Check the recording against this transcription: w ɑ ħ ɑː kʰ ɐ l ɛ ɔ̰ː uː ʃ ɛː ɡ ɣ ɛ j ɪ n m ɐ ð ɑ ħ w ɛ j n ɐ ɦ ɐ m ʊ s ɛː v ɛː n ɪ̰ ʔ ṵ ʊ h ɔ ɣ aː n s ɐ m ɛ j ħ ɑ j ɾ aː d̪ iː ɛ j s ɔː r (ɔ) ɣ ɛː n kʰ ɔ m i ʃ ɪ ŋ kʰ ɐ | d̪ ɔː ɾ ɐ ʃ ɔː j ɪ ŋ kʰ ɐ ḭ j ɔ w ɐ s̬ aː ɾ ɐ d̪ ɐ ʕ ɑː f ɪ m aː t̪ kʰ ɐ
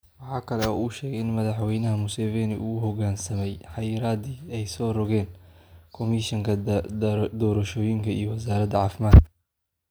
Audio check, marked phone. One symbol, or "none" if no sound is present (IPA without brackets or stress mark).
ɔ